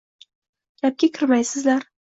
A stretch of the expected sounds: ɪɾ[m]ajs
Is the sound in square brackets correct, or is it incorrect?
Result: correct